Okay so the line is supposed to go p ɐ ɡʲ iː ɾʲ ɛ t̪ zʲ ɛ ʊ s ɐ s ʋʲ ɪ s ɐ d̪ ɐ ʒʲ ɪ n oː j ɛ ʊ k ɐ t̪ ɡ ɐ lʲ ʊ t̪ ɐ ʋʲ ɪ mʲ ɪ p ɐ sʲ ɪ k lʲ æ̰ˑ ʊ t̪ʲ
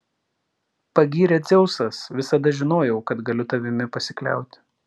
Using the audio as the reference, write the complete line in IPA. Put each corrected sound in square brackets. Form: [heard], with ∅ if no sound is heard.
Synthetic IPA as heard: p ɐ ɡʲ iː ɾʲ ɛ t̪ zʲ ɛ ʊ s ɐ s ʋʲ ɪ s ɐ d̪ ɐ ʒʲ ɪ n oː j ɛ ʊ k ɐ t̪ ɡ ɐ lʲ ʊ t̪ ɐ ʋʲ ɪ mʲ ɪ p ɐ sʲ ɪ k lʲ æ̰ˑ ʊ t̪ʲ